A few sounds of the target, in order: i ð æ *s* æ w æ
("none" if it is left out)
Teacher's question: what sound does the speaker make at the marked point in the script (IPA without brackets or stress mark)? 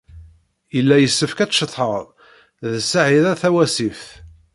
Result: θ